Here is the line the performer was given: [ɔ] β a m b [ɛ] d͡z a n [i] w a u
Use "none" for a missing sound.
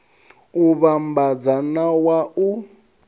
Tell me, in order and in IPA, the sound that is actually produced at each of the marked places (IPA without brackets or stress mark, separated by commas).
u, a, a